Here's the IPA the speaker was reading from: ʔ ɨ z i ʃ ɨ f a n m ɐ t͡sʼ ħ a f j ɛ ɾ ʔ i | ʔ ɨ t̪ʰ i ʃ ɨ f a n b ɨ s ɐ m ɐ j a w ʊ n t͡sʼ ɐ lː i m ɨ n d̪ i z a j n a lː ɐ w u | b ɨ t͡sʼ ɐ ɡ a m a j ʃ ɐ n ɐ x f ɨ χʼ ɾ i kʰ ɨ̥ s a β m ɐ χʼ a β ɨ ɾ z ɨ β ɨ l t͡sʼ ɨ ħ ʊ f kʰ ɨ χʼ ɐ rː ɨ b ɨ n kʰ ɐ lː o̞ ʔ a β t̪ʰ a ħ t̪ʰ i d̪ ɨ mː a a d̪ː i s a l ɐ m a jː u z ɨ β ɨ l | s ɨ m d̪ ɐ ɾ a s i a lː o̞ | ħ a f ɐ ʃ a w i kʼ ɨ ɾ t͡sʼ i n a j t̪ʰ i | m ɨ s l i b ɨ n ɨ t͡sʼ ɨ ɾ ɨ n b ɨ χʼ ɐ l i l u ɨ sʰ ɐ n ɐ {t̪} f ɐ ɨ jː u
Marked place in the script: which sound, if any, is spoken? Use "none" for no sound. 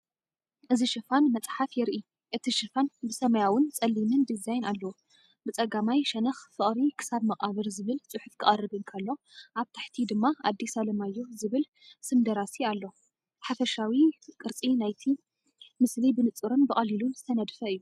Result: d̪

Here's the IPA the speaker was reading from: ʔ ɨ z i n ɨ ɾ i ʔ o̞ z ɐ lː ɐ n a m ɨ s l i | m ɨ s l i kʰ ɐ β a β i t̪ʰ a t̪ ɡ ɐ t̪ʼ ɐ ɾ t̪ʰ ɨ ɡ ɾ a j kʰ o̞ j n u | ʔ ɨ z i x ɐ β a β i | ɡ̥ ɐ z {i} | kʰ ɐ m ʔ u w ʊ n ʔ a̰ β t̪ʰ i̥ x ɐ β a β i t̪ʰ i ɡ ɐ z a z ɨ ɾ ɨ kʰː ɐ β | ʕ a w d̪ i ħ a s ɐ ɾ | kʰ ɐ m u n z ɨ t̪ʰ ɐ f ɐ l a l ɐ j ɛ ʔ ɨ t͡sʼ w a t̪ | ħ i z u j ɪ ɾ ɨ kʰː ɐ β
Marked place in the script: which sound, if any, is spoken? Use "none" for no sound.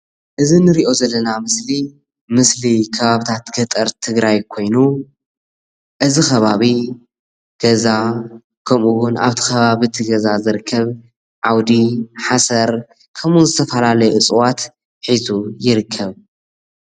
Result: a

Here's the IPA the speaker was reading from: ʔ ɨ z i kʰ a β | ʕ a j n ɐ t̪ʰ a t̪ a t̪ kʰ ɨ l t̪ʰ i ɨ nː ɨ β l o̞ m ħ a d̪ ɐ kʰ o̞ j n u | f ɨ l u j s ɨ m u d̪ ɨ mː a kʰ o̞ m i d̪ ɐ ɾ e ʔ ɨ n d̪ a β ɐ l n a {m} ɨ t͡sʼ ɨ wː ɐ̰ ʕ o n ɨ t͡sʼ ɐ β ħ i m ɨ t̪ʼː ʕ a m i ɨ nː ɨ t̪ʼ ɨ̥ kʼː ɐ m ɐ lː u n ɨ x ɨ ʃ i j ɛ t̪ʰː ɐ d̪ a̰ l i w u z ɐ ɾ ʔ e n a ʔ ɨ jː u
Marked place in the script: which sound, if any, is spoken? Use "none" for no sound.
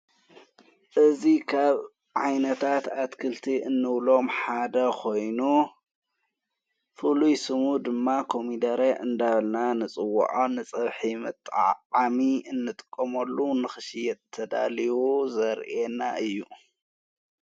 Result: n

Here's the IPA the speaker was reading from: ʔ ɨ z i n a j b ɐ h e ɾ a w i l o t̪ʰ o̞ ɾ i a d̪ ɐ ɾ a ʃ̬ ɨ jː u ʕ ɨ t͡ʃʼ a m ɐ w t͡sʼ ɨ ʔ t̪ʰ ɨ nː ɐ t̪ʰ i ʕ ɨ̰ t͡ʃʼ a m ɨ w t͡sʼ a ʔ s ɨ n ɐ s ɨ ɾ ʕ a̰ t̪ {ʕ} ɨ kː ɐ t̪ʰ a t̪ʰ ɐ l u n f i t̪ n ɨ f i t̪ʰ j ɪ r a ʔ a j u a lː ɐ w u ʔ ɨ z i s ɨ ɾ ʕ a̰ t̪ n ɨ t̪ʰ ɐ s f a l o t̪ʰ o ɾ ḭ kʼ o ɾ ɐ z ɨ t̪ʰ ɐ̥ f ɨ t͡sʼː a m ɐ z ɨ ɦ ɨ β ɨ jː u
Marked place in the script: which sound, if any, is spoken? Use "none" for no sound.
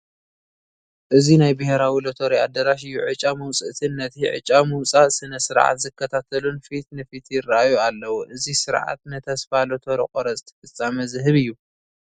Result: z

